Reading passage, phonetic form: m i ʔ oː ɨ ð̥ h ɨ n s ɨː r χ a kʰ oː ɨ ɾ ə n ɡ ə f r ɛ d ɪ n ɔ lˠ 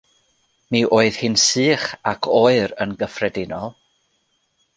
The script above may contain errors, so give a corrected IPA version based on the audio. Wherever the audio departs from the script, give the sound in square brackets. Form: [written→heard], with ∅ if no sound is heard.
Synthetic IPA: m i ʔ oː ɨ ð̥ h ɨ n s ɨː [r→∅] χ a kʰ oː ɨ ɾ ə n ɡ ə f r ɛ d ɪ n ɔ lˠ

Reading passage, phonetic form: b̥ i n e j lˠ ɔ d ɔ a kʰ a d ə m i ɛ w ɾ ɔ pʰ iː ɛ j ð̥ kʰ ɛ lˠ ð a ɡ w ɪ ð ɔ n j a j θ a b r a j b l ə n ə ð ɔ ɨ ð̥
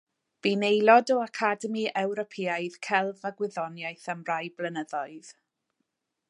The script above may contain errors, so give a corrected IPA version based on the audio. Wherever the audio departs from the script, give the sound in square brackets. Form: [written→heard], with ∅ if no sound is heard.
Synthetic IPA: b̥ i n e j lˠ ɔ d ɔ a kʰ a d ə m i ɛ w ɾ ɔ pʰ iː [ɛ→a] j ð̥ kʰ ɛ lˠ [ð→v] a ɡ w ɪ ð ɔ n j a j θ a [b→m] r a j b l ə n ə ð ɔ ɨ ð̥

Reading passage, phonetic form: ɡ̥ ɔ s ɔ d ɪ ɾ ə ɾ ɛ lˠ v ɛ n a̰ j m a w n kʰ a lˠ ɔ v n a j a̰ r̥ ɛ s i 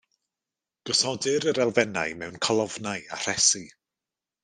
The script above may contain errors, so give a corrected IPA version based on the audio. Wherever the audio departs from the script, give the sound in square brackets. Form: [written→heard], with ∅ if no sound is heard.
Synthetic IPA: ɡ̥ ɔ s ɔ d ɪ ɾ ə ɾ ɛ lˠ v ɛ n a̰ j m [a→ɛ] w n kʰ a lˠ ɔ v n a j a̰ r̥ ɛ s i

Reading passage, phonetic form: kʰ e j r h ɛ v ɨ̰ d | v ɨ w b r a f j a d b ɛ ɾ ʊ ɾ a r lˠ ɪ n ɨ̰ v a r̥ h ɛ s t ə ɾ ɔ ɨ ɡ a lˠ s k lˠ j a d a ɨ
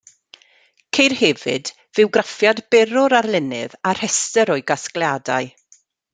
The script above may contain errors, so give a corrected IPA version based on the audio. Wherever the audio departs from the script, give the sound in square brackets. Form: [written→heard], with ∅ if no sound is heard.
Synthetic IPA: kʰ e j r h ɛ v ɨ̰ d | v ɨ w [b→ɡ] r a f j a d b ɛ ɾ ʊ ɾ a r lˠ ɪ n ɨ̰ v a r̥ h ɛ s t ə ɾ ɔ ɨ ɡ a [lˠ→∅] s k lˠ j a d a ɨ

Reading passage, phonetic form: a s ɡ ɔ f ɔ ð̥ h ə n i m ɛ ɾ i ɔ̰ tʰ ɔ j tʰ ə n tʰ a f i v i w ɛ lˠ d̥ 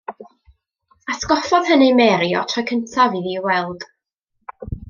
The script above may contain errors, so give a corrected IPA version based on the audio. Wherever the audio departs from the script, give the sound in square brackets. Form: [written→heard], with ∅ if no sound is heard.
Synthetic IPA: a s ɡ ɔ f ɔ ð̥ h ə n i m ɛ ɾ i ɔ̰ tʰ ɔ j [tʰ→kʰ] ə n tʰ a [f→v] i [v→ð] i w ɛ lˠ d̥

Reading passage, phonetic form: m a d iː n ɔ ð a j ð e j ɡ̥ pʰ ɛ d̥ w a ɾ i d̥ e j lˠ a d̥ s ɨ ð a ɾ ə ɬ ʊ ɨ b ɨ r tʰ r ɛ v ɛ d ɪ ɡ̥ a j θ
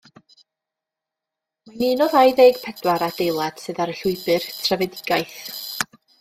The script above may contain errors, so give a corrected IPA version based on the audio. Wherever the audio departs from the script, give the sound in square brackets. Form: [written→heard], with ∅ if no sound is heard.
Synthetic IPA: m a [d→n] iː n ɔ ð a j ð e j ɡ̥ pʰ ɛ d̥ w a ɾ [i→a] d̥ e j lˠ a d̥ s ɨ ð a ɾ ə ɬ ʊ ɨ b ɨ r tʰ r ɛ v ɛ d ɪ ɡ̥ a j θ

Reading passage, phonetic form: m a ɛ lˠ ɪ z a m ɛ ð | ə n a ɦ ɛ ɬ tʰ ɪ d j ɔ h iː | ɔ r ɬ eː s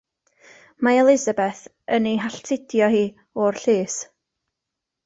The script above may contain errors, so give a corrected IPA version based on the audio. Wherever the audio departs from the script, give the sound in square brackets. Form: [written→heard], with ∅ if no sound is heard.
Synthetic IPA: m a ɛ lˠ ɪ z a [m→b] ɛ [ð→θ] | ə n [a→i] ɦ [ɛ→a] ɬ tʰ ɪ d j ɔ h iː | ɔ r ɬ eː s

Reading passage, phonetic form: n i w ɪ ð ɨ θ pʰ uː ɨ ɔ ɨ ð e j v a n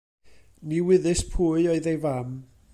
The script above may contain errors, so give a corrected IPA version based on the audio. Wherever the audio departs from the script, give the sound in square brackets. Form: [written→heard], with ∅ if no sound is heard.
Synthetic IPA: n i w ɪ ð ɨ [θ→s] pʰ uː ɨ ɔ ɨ ð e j v a [n→m]

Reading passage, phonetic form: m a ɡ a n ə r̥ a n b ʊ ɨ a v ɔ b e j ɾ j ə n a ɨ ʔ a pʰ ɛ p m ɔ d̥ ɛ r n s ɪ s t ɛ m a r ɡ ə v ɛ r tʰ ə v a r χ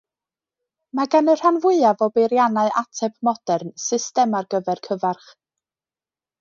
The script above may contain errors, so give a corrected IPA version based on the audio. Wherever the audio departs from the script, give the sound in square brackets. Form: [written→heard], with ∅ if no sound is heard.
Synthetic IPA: m a ɡ a n ə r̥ a n [b→v] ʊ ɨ a v ɔ b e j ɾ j [ə→a] n a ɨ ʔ a [pʰ→tʰ] ɛ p m ɔ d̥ ɛ r n s ɪ s t ɛ m a r ɡ ə v ɛ r [tʰ→kʰ] ə v a r χ

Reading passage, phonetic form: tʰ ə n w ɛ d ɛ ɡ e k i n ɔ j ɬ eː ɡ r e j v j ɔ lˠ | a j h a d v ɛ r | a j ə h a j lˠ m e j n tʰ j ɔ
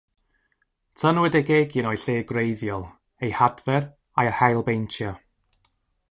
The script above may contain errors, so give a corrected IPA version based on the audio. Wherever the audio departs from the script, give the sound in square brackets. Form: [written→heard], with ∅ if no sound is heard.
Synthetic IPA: tʰ ə n w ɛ d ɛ ɡ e [k→ɡ] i n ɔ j ɬ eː ɡ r e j [v→ð] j ɔ lˠ | [a→e] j h a d v ɛ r | a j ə h a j lˠ [m→b] e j n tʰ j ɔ

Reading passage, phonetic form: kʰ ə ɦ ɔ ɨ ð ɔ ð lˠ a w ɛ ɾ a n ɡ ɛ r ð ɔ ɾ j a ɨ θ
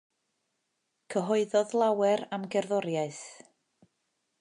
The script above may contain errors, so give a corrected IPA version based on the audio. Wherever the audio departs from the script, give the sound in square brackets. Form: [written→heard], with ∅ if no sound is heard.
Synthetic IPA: kʰ ə ɦ ɔ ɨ ð ɔ ð lˠ a w ɛ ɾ a [n→m] ɡ ɛ r ð ɔ ɾ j a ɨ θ

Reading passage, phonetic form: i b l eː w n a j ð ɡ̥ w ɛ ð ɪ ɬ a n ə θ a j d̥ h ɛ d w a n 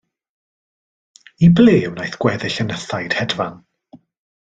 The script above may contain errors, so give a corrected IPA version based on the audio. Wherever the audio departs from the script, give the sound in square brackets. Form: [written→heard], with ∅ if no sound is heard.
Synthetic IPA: i b l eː w n a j [ð→θ] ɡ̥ w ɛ ð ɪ ɬ [a→ə] n ə θ a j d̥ h ɛ d [w→v] a n

